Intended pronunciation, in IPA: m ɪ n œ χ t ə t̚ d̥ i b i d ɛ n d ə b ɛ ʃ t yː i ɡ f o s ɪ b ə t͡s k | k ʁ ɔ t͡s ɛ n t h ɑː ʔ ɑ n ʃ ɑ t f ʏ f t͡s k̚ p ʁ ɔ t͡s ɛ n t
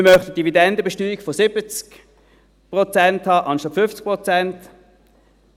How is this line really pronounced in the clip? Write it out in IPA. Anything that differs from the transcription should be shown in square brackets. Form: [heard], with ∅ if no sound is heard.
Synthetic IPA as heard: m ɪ [m] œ χ t ə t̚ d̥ i [v] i d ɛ n d ə b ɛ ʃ t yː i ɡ f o s ɪ b ə t͡s k | [p] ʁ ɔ t͡s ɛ n t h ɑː ʔ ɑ n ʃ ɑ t f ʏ f t͡s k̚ p ʁ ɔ t͡s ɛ n t